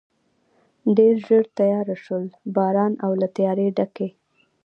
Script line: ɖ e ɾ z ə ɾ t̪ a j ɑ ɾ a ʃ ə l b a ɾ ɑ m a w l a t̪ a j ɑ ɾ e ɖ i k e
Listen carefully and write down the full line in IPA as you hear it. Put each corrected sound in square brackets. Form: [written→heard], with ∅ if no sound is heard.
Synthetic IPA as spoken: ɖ e ɾ [z→ʒ] ə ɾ t̪ a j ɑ ɾ a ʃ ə l b [a→ɑ] ɾ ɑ [m→n] a w l a t̪ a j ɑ ɾ e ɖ [i→a] k e